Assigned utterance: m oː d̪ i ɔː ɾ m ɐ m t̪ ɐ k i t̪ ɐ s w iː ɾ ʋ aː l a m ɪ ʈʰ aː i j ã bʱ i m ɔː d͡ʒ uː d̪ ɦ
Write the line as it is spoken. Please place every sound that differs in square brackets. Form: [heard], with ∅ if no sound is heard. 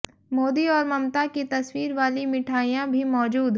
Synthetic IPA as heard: m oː d̪ i ɔː ɾ m ɐ m t̪ [a] k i t̪ ɐ s w iː ɾ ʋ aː l [i] m ɪ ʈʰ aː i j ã bʱ i m ɔː d͡ʒ uː d̪ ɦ